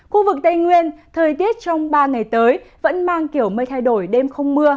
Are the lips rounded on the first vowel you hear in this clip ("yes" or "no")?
yes